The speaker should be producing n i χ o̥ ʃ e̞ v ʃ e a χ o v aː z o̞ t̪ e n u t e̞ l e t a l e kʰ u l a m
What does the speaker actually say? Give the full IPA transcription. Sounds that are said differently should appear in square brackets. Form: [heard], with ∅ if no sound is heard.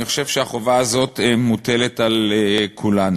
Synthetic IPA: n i χ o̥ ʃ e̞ v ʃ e a χ o v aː z o̞ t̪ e [m] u t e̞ l e t a l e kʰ u l a [n]